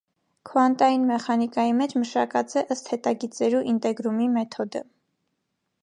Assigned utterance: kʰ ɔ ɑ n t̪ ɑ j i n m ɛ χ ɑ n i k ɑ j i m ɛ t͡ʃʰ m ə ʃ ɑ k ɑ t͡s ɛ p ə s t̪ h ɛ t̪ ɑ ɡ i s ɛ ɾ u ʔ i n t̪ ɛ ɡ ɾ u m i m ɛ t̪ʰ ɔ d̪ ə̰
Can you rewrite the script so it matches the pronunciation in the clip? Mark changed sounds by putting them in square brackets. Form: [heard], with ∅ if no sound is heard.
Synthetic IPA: kʰ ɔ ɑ n t̪ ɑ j i n m ɛ χ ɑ n i k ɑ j i m ɛ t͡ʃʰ m ə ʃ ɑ k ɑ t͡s ɛ [ʔ] ə s t̪ h ɛ t̪ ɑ ɡ i [t͡s] ɛ ɾ u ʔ i n t̪ ɛ ɡ ɾ u m i m ɛ t̪ʰ ɔ d̪ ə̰